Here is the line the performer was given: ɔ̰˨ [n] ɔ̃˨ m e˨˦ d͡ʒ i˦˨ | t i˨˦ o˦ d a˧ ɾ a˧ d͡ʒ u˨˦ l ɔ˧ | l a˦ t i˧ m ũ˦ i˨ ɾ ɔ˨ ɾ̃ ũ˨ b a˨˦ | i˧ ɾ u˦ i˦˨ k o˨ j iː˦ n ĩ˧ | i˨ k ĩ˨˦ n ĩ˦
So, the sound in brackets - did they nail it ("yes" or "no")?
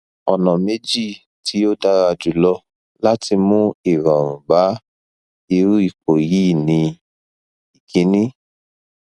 yes